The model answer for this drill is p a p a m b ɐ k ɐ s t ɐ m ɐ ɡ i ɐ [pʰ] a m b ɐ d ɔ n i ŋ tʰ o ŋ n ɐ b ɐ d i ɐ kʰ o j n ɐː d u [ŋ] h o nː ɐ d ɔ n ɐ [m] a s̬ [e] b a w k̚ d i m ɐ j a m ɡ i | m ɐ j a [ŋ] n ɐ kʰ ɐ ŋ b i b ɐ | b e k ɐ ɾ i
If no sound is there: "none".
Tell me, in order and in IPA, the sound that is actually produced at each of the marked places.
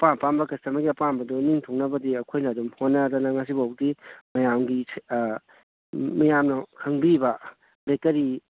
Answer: p, m, ŋ, i, m

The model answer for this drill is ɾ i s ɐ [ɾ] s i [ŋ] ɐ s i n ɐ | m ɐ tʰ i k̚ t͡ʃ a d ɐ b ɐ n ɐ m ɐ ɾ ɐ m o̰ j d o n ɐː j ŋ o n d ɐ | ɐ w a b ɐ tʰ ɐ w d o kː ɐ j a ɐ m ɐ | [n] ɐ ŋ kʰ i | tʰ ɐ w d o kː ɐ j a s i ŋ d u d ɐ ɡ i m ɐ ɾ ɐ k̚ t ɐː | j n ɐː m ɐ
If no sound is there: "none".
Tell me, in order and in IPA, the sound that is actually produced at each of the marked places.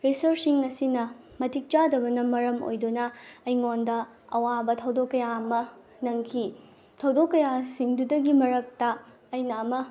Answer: ɾ, ŋ, n

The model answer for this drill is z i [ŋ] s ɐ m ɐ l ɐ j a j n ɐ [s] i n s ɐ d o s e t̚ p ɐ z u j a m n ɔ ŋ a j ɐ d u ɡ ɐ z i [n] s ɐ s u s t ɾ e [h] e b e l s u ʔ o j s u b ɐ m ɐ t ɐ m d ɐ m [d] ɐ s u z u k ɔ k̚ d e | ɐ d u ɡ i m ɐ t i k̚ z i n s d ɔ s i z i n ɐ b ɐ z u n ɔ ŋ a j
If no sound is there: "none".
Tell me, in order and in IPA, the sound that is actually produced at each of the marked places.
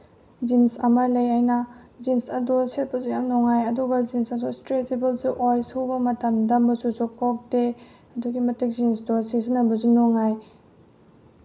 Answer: n, z, n, s, b

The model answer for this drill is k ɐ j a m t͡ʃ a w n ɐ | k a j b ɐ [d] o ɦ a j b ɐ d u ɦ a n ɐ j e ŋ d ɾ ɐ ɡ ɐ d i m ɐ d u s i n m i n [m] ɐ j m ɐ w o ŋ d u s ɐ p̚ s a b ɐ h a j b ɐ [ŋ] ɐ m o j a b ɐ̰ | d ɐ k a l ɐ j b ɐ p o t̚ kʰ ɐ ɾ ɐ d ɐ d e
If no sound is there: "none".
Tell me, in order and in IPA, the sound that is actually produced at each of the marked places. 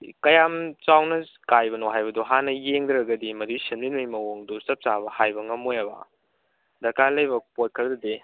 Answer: n, m, ŋ

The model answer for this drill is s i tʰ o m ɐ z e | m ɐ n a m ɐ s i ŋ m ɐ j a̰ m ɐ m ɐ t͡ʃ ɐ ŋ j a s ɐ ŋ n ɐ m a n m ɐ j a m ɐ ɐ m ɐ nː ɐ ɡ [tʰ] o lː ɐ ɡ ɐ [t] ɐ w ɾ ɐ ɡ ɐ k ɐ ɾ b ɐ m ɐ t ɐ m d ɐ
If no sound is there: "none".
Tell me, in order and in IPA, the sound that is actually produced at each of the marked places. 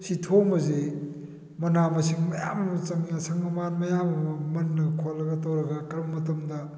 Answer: kʰ, t

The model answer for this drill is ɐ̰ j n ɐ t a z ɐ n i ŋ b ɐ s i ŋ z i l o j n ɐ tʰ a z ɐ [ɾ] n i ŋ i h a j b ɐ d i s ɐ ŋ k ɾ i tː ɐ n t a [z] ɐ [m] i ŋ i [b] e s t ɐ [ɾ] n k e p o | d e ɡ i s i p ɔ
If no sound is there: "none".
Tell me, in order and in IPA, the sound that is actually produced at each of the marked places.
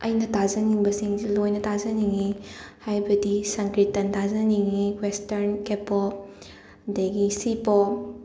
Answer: none, z, n, w, ɾ

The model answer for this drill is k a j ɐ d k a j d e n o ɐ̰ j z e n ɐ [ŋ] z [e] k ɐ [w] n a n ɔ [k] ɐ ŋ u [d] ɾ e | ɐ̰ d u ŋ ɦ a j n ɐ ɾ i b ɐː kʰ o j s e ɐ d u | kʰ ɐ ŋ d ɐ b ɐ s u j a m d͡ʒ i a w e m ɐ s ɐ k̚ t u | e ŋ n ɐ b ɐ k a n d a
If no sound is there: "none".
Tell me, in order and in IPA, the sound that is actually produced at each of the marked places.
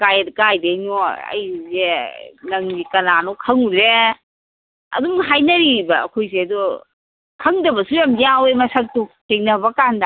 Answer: ŋ, i, none, kʰ, d

